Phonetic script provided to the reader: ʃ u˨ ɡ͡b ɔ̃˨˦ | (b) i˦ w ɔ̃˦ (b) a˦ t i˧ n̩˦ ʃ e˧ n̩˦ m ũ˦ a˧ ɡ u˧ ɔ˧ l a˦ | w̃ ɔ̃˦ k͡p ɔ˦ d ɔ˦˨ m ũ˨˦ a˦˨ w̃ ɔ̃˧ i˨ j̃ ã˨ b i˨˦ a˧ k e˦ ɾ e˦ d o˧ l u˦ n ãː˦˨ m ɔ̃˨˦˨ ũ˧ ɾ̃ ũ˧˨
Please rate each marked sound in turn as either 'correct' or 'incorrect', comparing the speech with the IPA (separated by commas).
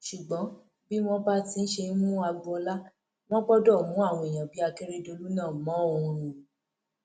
correct, correct